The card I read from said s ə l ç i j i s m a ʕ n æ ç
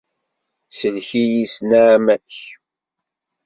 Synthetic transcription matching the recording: s ə l ç i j i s n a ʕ m æ ç